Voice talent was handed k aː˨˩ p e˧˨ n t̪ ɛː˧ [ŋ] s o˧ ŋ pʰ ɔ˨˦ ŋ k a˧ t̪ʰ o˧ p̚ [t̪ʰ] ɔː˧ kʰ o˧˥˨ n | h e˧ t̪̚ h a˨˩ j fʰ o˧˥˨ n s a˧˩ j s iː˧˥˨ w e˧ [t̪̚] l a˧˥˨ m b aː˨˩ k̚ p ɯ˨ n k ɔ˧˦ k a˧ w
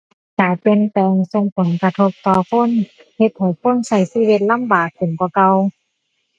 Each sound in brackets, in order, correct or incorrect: correct, incorrect, correct

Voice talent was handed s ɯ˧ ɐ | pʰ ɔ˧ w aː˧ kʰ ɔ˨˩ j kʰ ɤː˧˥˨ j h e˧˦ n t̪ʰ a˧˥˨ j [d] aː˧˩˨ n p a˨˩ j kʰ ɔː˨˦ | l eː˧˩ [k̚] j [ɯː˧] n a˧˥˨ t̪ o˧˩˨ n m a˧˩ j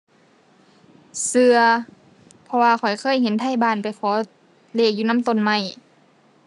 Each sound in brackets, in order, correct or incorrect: incorrect, correct, incorrect

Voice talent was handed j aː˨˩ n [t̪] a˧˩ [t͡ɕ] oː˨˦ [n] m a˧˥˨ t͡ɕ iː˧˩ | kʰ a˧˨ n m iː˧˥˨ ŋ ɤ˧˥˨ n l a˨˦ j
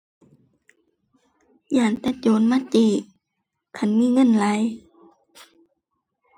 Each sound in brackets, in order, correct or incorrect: correct, correct, correct

